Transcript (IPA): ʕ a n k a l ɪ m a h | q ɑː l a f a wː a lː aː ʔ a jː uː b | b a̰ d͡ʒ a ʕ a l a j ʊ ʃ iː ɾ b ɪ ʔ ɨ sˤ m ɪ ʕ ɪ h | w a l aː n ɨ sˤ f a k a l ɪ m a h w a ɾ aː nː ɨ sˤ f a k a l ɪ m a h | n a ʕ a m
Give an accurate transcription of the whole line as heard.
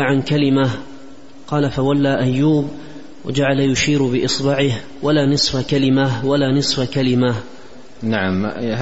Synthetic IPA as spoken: ʕ a n k a l ɪ m a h | q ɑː l a f a w a lː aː ʔ a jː uː b | w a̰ d͡ʒ a ʕ a l a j ʊ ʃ iː ɾ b ɪ ʔ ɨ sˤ b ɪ ʕ ɪ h | w a l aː n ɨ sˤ f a k a l ɪ m a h w a l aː n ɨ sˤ f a k a l ɪ m a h | n a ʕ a m